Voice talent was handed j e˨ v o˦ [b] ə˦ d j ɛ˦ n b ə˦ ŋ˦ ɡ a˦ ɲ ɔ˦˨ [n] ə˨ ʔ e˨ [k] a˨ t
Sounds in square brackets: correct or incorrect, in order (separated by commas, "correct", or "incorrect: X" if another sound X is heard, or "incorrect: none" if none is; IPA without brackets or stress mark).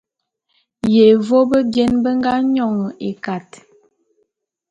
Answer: correct, incorrect: ŋ, correct